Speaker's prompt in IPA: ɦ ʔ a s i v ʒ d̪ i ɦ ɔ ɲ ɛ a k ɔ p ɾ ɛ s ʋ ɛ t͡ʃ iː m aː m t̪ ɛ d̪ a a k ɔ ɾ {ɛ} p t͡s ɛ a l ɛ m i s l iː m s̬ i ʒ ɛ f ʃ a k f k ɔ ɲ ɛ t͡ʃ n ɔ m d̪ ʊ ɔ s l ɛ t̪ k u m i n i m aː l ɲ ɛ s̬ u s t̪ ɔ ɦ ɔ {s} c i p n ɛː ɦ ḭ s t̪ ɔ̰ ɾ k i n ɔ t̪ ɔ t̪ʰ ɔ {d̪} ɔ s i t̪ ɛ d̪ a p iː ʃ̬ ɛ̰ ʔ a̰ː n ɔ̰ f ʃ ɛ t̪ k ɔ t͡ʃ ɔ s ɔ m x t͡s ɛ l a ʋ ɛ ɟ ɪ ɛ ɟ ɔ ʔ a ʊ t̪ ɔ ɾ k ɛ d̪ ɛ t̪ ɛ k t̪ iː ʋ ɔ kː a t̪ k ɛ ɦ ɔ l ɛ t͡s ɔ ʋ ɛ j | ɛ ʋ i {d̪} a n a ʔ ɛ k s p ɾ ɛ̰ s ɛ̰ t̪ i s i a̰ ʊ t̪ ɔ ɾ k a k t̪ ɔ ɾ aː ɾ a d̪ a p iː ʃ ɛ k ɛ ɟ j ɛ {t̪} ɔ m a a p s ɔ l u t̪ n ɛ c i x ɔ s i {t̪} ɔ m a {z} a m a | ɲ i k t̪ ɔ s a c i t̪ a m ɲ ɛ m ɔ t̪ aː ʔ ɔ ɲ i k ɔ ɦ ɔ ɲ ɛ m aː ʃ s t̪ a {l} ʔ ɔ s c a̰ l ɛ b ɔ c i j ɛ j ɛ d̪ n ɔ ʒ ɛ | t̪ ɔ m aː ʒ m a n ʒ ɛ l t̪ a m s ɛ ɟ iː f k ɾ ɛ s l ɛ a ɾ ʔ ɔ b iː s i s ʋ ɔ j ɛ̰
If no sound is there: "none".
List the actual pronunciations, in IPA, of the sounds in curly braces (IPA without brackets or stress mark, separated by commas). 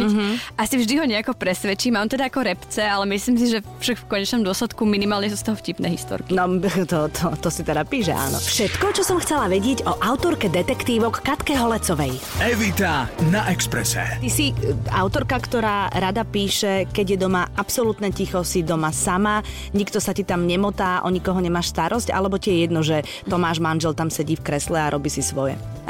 ɛ, f, t̪, t̪, d̪, d̪, s, ɾ